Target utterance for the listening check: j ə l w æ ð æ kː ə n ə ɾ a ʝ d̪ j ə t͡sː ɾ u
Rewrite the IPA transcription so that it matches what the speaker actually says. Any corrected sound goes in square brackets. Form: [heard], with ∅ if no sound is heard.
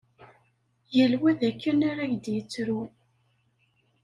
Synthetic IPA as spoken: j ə l w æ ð æ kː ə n [a] ɾ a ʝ d̪ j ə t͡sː ɾ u